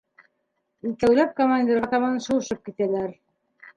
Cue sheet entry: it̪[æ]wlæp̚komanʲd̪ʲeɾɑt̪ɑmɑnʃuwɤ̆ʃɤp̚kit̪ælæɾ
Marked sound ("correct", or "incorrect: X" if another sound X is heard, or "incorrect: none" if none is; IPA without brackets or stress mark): correct